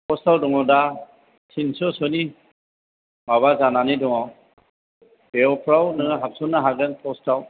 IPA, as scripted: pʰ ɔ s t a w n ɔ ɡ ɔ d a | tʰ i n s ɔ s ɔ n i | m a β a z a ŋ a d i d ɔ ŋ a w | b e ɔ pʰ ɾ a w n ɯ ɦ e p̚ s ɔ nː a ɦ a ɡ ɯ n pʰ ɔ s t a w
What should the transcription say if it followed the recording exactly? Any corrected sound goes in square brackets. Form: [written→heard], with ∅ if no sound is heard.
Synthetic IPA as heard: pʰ ɔ s t a w [n→d] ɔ [ɡ→ŋ] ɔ d a | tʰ i n s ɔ s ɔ n i | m a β a z a [ŋ→n] a [d→n] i d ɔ ŋ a w | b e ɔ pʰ ɾ a w n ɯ ɦ [e→a] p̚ s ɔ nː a ɦ a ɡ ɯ n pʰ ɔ s t a w